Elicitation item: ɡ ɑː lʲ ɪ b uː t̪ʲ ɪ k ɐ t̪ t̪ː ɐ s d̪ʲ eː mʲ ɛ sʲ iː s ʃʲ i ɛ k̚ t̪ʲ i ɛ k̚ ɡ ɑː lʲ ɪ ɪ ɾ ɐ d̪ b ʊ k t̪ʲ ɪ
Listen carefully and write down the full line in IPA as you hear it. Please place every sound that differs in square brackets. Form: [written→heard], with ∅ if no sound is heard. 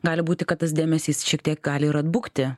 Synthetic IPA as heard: ɡ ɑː lʲ ɪ b uː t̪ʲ ɪ k ɐ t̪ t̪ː ɐ s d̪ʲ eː mʲ ɛ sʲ iː s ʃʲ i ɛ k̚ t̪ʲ i ɛ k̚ ɡ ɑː lʲ ɪ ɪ ɾ ɐ d̪ b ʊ k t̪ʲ ɪ